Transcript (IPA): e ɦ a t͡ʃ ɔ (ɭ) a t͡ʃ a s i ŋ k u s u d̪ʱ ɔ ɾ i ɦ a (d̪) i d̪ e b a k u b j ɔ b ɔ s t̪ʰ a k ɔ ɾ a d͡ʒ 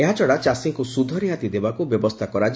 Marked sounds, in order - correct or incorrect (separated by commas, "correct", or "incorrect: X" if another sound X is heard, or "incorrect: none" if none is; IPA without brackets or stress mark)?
incorrect: ɽ, incorrect: t̪